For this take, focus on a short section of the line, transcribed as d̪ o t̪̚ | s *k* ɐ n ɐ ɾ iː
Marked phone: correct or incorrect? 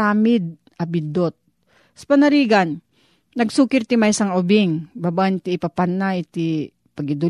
incorrect